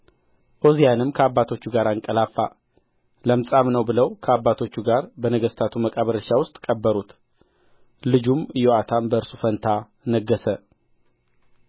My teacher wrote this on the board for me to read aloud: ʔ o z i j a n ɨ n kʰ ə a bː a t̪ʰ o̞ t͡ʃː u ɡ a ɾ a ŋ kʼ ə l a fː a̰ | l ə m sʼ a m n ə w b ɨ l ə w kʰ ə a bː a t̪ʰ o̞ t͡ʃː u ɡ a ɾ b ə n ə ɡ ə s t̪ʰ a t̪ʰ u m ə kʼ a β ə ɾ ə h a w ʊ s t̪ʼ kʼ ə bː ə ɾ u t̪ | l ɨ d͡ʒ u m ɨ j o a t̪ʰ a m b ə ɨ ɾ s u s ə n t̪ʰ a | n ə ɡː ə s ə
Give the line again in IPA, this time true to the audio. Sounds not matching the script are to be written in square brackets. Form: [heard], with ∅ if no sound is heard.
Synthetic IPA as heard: ʔ o z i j a n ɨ [m] kʰ ə a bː a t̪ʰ o̞ t͡ʃː u ɡ a ɾ a ŋ kʼ ə l a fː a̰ | l ə m sʼ a m n ə w b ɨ l ə w kʰ ə a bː a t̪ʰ o̞ t͡ʃː u ɡ a ɾ b ə n ə ɡ ə s t̪ʰ a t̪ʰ u m ə kʼ a β ə ɾ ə [ʃ] a w ʊ s t̪ʼ kʼ ə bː ə ɾ u t̪ | l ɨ d͡ʒ u m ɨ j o a t̪ʰ a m b ə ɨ ɾ s u [f] ə n t̪ʰ a | n ə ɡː ə s ə

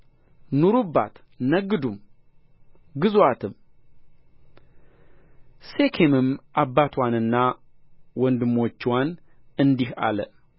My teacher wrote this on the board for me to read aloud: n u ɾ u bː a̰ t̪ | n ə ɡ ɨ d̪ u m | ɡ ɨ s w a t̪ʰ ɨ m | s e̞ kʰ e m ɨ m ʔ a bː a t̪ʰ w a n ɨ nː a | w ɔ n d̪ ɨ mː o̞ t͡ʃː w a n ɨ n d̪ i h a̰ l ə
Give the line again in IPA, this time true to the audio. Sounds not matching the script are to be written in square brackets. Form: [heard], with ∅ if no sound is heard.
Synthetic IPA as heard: n u ɾ u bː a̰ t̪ | n ə ɡ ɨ d̪ u m | ɡ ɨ [z] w a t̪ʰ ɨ m | s e̞ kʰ e m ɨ m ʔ a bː a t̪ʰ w a n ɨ nː a | w ɔ n d̪ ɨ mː o̞ t͡ʃː w a n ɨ n d̪ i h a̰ l ə

